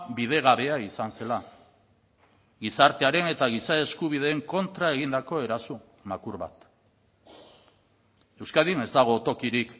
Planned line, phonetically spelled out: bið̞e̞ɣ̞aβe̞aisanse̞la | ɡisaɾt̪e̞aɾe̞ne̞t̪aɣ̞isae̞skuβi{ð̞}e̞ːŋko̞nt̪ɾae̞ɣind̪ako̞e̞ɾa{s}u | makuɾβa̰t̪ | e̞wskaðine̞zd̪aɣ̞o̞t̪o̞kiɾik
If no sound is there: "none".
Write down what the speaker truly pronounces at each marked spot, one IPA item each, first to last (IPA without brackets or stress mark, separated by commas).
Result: ð̞, s